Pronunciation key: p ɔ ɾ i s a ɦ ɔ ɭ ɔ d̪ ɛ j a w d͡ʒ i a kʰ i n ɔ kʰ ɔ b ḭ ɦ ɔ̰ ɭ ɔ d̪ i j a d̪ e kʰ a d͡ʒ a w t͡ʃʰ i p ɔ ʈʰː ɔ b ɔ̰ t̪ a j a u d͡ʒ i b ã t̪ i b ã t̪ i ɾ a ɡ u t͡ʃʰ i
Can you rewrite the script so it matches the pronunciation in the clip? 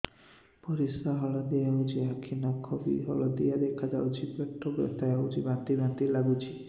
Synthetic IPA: p ɔ ɾ i s a ɦ ɔ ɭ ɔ d̪ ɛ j a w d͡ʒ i a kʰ i n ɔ kʰ ɔ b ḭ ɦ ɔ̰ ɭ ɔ d̪ i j a d̪ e kʰ a d͡ʒ a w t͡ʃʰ i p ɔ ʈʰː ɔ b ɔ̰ t̪ a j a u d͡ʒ i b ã t̪ i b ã t̪ i l a ɡ u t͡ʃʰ i